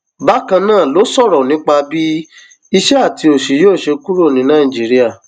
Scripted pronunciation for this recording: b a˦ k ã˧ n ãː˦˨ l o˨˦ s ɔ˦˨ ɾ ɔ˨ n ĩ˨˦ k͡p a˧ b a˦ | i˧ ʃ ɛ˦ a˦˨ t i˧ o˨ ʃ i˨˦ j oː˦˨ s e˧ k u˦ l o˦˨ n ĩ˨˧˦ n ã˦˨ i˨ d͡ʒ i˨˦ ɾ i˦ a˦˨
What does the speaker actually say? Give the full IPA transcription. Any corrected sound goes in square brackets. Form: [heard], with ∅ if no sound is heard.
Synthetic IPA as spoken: b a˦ k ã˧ n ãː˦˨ l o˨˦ s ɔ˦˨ ɾ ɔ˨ n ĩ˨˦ k͡p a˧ b [i˦] | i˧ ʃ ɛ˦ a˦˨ t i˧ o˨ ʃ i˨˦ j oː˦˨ [ʃ] e˧ k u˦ [ɾ] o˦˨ n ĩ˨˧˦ n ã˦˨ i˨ d͡ʒ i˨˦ ɾ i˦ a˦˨